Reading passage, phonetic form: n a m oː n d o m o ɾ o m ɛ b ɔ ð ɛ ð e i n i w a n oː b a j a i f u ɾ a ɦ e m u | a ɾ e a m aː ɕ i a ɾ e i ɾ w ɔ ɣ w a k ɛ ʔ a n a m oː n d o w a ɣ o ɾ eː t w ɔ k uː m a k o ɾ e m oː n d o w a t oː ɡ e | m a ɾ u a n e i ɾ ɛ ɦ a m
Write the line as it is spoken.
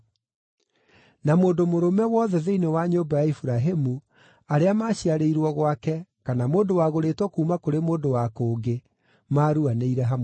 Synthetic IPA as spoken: n a m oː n d o m o ɾ o m ɛ w ɔ ð ɛ ð e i n e w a ɲ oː b a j a i f u ɾ a ɦ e m u | a ɾ e a m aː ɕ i a ɾ e i ɾ w ɔ ɣ w a k ɛ k a n a m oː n d o w a ɣ o ɾ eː t w ɔ k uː m a k o ɾ e m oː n d o w a k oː ɡ e | m a ɾ u a n e i ɾ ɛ ɦ a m